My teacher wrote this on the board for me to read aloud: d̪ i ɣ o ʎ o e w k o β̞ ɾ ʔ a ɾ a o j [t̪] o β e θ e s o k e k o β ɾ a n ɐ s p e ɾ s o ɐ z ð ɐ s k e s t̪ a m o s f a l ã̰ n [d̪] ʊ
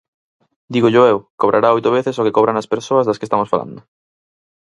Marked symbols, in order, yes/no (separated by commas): yes, yes